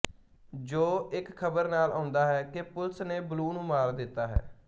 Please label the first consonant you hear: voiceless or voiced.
voiced